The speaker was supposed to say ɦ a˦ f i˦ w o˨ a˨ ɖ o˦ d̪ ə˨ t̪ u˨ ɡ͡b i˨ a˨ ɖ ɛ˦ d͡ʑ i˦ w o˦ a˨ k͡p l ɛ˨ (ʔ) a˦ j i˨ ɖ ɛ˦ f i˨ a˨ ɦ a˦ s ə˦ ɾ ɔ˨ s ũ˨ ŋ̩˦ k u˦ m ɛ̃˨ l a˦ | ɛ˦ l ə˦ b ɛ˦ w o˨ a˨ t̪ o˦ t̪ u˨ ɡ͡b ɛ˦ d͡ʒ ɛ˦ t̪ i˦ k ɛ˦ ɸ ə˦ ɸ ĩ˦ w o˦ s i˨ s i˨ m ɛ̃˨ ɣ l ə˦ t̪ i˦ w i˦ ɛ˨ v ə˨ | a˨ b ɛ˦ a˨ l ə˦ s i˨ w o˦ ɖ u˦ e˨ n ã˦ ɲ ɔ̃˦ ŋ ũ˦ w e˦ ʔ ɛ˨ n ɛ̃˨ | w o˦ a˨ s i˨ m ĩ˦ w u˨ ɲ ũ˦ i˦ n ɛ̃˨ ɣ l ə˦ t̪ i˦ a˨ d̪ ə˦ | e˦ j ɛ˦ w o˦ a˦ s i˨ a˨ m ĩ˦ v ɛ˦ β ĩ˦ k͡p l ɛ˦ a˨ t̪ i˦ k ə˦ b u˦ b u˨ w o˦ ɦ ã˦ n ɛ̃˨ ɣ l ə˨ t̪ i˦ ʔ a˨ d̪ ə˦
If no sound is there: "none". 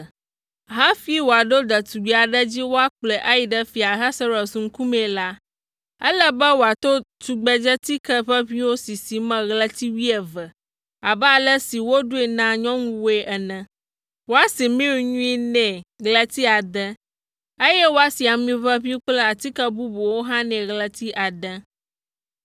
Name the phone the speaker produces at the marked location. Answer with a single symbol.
ʔ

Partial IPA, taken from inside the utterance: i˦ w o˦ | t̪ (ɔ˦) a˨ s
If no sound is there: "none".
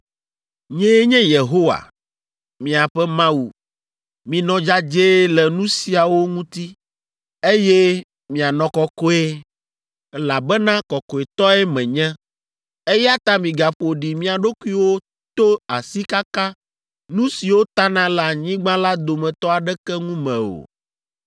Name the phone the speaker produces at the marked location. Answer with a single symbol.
o˦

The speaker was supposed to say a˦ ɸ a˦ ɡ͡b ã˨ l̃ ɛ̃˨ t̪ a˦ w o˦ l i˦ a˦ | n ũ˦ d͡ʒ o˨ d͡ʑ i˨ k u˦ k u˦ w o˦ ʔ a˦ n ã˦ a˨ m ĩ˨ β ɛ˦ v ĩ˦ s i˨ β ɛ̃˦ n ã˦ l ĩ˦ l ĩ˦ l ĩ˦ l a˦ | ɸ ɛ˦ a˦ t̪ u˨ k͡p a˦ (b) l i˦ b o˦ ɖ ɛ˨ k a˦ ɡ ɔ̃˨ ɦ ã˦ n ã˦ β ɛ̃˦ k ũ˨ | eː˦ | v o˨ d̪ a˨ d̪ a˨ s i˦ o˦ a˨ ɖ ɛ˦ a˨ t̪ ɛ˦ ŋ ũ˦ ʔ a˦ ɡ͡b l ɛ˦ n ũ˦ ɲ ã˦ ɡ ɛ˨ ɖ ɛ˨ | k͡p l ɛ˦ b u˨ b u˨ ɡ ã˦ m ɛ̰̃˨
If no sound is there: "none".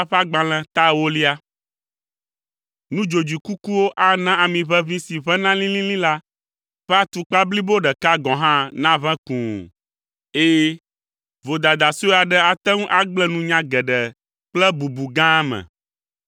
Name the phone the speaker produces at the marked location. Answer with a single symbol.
b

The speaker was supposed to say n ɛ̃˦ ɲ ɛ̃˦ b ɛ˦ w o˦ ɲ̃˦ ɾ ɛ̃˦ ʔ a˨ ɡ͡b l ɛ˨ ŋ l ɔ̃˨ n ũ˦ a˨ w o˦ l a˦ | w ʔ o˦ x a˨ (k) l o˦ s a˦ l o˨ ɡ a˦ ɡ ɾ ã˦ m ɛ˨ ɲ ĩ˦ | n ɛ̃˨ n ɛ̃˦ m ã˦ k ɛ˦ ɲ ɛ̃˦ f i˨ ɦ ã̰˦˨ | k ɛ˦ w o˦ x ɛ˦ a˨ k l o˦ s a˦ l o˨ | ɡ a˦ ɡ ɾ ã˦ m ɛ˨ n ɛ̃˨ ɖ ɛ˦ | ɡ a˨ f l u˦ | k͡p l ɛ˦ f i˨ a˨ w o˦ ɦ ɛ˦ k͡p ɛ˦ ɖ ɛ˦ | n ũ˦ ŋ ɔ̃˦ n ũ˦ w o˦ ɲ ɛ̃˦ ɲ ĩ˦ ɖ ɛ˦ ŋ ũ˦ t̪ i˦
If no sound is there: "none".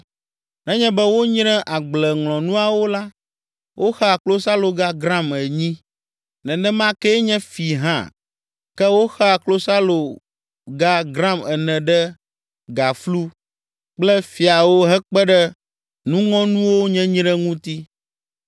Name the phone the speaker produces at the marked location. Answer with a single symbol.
k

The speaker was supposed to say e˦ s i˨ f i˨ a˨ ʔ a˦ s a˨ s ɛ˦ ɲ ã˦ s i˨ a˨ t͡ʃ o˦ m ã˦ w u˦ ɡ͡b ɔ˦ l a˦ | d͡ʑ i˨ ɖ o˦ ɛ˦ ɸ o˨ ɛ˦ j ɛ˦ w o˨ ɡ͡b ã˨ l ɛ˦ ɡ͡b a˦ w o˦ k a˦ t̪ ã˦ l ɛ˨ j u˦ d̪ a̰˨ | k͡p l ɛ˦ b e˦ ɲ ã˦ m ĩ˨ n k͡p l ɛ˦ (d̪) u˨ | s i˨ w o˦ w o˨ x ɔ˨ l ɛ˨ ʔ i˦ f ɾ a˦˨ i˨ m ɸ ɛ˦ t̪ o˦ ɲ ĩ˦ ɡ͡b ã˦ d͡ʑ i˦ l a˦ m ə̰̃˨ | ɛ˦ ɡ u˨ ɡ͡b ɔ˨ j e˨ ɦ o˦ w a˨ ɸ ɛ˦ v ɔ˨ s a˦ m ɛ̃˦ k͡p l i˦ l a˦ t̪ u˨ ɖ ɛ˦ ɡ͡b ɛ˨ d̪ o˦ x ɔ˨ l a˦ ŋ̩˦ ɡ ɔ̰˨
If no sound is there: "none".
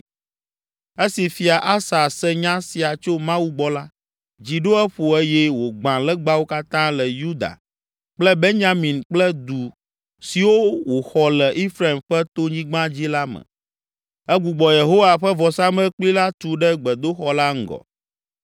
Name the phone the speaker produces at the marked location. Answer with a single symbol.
d̪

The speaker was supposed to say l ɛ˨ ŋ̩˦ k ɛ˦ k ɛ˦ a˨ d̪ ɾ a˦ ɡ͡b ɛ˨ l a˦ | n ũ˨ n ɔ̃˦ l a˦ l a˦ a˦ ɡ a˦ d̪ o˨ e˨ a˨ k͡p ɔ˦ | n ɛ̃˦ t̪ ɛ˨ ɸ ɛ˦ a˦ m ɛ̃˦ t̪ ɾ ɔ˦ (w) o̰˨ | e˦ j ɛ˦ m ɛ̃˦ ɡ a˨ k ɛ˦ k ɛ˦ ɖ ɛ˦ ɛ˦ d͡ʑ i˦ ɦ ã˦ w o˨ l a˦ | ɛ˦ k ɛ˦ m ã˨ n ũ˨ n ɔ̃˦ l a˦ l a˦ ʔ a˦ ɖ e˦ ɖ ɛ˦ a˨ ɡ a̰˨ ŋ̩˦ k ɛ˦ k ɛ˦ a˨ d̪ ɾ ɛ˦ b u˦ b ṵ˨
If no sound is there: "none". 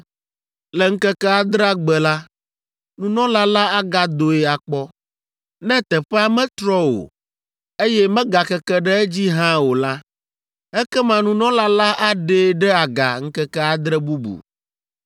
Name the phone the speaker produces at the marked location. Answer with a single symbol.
w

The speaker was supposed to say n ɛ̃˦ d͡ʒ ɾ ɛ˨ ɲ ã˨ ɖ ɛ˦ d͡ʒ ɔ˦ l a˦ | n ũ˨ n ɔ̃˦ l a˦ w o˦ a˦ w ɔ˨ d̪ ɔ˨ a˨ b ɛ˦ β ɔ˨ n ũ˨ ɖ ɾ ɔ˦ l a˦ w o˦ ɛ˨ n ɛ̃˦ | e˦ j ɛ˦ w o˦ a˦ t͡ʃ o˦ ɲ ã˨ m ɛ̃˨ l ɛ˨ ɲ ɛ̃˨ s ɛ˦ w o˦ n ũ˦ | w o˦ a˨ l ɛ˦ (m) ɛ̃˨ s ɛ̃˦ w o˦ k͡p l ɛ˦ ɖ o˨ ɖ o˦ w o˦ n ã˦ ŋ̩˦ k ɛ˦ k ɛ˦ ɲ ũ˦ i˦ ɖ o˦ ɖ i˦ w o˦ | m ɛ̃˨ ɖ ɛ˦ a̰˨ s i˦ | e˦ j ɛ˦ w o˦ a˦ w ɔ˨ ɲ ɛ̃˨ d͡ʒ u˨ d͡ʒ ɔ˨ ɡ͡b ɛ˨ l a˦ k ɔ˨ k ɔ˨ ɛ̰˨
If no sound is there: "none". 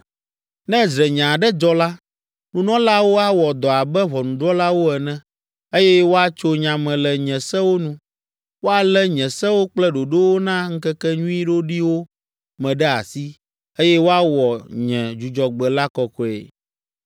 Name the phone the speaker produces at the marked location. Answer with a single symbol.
ɲ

